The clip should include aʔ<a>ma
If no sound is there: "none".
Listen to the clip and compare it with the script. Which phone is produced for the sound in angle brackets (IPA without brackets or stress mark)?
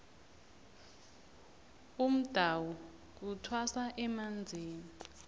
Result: ɛ